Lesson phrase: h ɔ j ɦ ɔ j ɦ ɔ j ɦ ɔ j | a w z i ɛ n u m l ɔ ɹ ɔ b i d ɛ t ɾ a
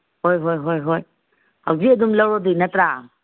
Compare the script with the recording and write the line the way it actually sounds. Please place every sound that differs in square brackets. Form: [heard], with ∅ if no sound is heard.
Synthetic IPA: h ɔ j ɦ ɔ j ɦ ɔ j ɦ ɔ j | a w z i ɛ [d] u m l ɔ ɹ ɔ [d] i [n] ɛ t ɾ a